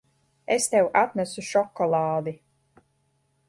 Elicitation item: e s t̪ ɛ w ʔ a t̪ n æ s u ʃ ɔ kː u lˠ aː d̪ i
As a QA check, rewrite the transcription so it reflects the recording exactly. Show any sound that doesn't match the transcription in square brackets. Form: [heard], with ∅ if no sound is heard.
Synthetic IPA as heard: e s t̪ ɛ w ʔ a t̪ n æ s u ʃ ɔ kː [ɔ] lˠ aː d̪ i